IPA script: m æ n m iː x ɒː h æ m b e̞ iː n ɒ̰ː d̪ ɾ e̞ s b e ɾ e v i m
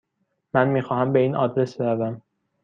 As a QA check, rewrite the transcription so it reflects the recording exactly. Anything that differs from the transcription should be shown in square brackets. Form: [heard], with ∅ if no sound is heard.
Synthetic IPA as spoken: m æ n m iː x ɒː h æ m b e̞ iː n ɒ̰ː d̪ ɾ e̞ s b e ɾ [æ] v [æ] m